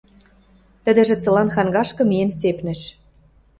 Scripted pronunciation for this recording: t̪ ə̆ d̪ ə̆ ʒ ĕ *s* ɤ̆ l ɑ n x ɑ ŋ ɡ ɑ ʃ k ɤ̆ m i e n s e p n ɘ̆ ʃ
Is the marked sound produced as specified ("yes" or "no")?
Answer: no